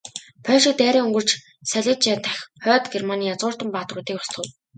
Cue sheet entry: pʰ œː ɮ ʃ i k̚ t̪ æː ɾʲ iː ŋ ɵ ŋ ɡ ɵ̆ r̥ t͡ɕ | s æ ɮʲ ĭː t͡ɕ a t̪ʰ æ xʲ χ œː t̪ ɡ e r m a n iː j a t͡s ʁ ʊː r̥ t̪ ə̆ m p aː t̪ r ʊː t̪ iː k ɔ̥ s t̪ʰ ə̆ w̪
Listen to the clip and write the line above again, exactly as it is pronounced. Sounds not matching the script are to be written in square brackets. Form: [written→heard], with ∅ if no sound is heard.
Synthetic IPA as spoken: pʰ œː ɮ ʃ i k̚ t̪ æː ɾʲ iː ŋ ɵ ŋ ɡ ɵ̆ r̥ t͡ɕ | s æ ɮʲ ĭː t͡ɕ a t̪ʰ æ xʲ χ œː t̪ ɡ e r m a n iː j a t͡s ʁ ʊː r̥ t̪ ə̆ m p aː t̪ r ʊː t̪ iː k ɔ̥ s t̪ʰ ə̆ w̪